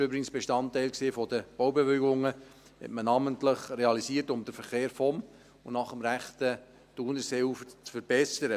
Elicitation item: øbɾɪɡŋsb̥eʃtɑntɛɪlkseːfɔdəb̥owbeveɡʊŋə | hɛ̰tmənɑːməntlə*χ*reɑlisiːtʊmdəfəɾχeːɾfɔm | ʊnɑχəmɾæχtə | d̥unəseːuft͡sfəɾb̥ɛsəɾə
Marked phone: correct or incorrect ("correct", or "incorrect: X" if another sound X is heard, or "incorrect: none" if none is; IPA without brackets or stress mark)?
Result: correct